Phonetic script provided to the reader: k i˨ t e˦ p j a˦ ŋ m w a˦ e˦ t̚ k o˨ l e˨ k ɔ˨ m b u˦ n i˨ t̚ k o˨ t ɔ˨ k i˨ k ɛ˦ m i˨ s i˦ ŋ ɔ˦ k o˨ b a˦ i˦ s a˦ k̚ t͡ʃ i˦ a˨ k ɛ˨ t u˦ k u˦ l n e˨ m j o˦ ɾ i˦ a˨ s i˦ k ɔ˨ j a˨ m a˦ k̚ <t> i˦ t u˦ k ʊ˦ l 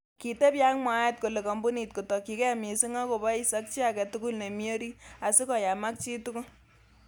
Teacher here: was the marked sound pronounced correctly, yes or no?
no